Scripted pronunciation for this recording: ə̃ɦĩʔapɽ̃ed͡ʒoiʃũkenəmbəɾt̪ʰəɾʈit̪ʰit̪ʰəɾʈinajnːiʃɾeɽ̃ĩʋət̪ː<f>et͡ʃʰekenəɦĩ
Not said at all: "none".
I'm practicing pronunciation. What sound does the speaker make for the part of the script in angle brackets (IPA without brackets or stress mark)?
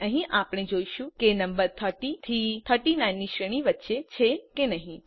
ʃ